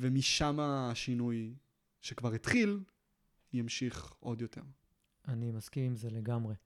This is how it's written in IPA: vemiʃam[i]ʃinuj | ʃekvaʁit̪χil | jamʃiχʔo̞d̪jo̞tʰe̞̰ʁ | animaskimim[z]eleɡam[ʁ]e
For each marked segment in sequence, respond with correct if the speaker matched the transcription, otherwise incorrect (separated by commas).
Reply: incorrect, correct, correct